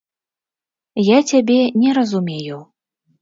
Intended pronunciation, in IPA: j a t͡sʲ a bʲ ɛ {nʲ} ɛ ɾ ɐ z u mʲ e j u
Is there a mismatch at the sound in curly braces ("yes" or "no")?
no